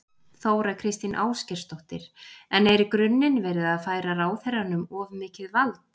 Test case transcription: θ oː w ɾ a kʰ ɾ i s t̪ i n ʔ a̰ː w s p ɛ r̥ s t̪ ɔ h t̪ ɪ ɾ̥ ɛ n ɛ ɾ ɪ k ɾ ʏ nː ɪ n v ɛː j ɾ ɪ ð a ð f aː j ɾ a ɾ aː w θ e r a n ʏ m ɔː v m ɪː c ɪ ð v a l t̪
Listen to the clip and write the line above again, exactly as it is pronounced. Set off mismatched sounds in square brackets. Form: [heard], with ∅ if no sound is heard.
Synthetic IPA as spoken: θ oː w ɾ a kʰ ɾ [ɪ] s t̪ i n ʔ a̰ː w s [c] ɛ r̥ s t̪ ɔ h t̪ ɪ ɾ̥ ɛ n ɛ ɾ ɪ k ɾ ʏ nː ɪ n v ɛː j ɾ ɪ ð a ð f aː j ɾ a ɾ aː w θ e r a n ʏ m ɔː v m ɪː c ɪ ð v a l t̪